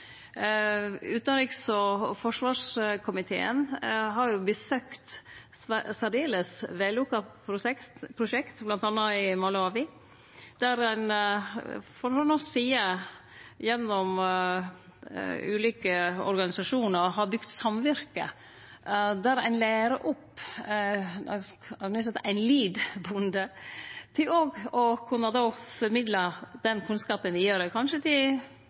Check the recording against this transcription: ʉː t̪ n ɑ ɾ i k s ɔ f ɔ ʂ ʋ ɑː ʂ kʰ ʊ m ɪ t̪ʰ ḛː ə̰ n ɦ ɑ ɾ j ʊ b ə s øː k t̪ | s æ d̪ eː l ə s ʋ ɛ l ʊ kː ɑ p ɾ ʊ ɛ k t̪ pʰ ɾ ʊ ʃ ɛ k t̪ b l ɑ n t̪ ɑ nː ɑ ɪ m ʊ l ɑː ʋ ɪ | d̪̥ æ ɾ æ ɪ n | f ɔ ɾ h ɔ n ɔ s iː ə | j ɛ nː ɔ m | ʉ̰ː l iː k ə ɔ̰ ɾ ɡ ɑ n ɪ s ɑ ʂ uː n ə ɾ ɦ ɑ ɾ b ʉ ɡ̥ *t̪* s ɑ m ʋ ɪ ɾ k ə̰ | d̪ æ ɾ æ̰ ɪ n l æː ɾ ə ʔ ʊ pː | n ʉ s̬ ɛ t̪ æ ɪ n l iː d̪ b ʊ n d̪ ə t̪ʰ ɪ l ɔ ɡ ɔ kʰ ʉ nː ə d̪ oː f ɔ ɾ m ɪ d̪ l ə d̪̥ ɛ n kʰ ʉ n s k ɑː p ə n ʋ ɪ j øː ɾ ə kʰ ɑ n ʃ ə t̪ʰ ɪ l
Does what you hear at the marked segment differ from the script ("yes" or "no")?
no